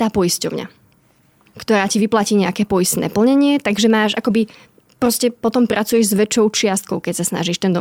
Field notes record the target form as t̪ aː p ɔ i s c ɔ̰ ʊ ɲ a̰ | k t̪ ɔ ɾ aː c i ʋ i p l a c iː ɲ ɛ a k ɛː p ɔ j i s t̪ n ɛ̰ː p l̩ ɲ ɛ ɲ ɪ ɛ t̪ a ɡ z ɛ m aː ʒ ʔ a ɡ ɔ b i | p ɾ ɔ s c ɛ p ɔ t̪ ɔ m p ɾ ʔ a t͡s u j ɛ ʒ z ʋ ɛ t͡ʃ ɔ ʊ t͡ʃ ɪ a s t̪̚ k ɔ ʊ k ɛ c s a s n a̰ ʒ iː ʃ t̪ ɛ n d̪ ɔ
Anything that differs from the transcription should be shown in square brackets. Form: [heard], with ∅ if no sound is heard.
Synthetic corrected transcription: t̪ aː p ɔ i s c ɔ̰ ʊ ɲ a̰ | k t̪ ɔ ɾ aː c i ʋ i p l a c iː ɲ ɛ a k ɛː p ɔ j i s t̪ n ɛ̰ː p l̩ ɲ ɛ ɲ ɪ ɛ t̪ a ɡ [ʒ] ɛ m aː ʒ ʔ a [k] ɔ b i | p ɾ ɔ s c ɛ p ɔ t̪ ɔ m p ɾ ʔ a t͡s u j ɛ ʒ z ʋ ɛ t͡ʃ ɔ ʊ t͡ʃ ɪ a s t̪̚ k ɔ ʊ k ɛ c s a s n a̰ ʒ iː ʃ t̪ ɛ n d̪ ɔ